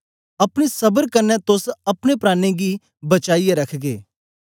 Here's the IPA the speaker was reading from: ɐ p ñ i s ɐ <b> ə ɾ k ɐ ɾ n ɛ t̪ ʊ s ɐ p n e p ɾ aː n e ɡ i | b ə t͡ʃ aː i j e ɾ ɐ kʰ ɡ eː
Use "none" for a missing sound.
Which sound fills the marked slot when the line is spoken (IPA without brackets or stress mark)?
b